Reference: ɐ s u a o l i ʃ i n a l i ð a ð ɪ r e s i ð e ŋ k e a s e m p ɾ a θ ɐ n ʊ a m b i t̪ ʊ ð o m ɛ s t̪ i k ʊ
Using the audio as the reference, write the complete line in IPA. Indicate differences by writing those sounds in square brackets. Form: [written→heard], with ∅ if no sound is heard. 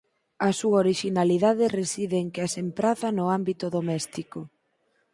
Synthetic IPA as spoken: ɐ s u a o [l→ɾ] i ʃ i n a l i ð a ð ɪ r e s i ð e ŋ k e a s e m p ɾ a θ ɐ n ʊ a m b i t̪ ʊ ð o m ɛ s t̪ i k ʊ